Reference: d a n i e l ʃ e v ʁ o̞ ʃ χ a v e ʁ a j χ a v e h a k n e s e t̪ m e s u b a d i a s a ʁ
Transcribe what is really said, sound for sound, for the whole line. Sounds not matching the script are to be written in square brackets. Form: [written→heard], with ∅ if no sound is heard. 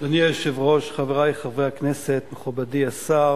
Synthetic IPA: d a n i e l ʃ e v ʁ o̞ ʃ χ a v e ʁ a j χ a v e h a k n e s e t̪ m e [s→χ] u b a d i a s a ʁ